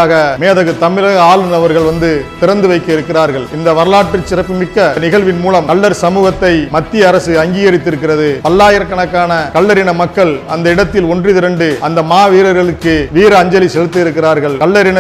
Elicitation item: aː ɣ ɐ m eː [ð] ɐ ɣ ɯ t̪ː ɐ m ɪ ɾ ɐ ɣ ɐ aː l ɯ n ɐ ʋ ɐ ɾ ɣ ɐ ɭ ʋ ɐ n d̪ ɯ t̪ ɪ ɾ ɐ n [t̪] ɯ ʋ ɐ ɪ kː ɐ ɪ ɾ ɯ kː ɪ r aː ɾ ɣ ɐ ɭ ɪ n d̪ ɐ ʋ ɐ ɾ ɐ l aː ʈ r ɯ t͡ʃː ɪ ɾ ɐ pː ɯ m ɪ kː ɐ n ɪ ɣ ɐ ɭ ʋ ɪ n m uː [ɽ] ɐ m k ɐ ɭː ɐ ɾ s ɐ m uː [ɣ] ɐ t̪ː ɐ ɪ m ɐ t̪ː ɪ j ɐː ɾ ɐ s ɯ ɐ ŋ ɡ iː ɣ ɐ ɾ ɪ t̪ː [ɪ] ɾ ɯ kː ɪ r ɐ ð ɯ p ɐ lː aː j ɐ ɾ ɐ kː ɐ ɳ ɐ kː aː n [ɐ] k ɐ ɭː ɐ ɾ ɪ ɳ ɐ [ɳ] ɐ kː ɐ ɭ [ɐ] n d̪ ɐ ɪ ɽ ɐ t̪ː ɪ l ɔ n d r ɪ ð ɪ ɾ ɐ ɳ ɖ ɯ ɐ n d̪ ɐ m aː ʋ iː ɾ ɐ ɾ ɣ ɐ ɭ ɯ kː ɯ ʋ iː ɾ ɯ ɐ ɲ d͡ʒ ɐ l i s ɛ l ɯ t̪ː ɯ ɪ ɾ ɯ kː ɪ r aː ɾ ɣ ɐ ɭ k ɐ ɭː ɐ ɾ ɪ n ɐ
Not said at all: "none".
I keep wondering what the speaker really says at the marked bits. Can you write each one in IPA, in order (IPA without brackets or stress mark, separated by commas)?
ð, d̪, l, ɣ, ɪ, ɐ, m, ɐ